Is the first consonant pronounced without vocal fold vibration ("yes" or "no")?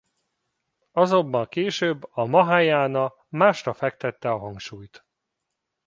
no